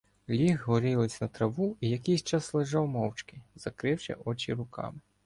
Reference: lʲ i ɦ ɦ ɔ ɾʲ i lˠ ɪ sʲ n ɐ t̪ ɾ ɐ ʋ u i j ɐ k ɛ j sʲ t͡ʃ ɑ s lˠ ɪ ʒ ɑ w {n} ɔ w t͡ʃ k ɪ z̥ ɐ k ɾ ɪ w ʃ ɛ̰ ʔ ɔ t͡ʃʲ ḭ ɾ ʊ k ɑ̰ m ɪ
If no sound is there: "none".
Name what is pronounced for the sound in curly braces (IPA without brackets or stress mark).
m